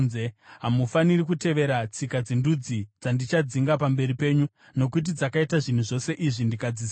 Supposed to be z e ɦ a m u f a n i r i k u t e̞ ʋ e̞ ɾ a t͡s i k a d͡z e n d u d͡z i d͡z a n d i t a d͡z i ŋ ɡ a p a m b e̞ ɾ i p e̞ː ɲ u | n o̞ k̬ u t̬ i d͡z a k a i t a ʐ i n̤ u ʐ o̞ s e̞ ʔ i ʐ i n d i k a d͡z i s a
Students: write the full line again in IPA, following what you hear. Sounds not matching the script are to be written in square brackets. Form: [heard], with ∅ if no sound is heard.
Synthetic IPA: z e ɦ a m u f a n i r i k u t e̞ ʋ e̞ ɾ a t͡s i k a d͡z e n d u d͡z i d͡z a n d i [t͡ʃ] a d͡z i ŋ ɡ a p a m b e̞ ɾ i p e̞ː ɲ u | n o̞ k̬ u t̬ i d͡z a k a i t a ʐ i n̤ u ʐ o̞ s e̞ ʔ i ʐ i n d i k a d͡z i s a